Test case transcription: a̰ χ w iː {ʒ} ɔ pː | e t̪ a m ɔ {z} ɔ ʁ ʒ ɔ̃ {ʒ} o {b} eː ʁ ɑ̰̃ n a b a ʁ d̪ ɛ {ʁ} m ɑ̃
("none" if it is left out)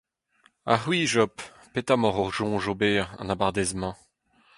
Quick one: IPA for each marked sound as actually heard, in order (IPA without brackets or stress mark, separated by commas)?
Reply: ʒ, ʁ, ʒ, b, z